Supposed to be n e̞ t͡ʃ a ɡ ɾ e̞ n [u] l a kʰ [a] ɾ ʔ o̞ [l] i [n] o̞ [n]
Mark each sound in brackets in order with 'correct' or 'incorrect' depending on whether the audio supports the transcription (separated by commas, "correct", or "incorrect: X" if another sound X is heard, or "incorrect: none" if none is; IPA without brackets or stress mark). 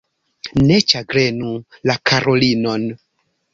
correct, correct, correct, correct, correct